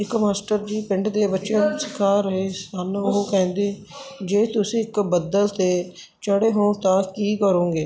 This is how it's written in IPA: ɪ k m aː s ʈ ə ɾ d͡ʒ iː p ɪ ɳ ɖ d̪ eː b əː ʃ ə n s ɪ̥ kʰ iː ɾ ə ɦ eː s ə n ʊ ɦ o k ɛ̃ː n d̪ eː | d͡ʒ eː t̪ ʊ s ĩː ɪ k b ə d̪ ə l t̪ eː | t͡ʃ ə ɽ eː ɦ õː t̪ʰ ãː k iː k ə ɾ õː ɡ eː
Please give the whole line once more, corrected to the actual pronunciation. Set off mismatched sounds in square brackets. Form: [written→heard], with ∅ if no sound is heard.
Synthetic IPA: ɪ k m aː s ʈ ə ɾ d͡ʒ iː p ɪ ɳ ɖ d̪ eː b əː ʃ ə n s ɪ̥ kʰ [iː→aː] ɾ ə ɦ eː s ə n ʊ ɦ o k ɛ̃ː n d̪ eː | d͡ʒ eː t̪ ʊ s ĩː ɪ k b ə d̪ ə l t̪ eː | t͡ʃ ə ɽ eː ɦ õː [t̪ʰ→t̪] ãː k iː k ə ɾ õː ɡ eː